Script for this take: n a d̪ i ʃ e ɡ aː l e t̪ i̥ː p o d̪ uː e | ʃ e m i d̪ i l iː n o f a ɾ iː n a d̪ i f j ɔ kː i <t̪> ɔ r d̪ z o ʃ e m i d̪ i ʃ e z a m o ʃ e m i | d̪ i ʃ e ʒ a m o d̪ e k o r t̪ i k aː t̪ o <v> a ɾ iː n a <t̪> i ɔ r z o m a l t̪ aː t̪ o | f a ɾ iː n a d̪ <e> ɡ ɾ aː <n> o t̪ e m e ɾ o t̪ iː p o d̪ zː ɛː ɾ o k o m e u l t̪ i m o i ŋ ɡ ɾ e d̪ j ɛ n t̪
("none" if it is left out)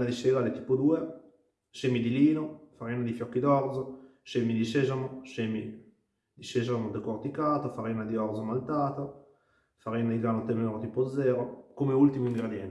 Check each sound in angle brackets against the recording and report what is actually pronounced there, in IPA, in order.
d̪, f, d̪, i, n

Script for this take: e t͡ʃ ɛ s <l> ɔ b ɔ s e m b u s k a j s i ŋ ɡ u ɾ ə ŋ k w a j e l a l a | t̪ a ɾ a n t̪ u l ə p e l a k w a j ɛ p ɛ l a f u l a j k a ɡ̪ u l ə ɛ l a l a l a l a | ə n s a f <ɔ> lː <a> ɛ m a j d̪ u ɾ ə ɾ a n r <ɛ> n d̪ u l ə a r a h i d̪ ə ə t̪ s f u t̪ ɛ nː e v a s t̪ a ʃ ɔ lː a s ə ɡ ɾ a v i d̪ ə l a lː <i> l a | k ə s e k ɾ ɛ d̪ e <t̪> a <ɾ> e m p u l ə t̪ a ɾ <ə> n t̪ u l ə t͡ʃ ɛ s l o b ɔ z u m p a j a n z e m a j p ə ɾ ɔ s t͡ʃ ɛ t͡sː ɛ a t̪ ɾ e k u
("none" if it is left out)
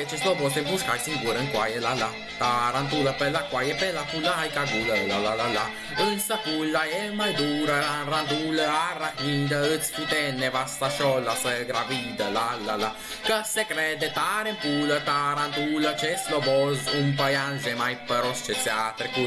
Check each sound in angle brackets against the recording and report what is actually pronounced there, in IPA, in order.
l, u, a, a, a, t̪, ɾ, a

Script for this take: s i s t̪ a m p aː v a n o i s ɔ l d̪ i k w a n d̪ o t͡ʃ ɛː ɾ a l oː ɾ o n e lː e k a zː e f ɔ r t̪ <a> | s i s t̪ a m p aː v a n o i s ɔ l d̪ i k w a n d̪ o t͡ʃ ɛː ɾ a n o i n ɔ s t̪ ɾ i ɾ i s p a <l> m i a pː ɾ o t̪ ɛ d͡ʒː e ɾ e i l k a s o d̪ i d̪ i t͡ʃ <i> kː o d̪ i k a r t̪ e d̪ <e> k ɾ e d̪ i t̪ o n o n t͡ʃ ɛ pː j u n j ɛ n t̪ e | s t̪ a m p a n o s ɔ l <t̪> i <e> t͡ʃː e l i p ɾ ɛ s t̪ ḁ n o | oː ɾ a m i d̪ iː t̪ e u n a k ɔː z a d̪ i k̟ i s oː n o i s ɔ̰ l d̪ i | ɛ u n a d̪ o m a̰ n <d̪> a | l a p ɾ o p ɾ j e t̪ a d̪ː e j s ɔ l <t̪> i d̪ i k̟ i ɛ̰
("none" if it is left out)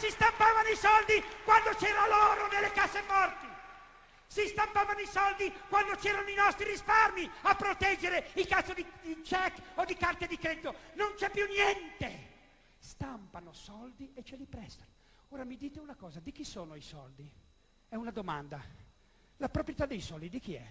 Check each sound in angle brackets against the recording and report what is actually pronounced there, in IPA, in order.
i, r, ɛ, i, d̪, e, d̪, d̪

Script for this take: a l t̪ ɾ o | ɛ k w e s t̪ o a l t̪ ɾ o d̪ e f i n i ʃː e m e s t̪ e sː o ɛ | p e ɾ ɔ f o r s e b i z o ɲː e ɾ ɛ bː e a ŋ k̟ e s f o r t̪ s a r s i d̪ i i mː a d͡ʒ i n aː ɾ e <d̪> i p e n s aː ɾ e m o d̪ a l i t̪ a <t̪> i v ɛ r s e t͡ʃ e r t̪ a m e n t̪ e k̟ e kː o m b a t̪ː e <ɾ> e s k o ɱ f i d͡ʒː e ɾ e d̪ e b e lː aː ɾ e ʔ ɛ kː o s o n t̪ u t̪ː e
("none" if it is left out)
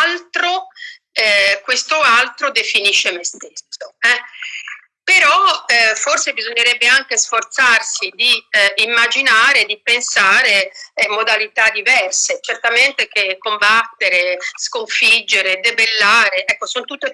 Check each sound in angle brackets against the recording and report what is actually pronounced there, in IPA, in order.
d̪, d̪, ɾ

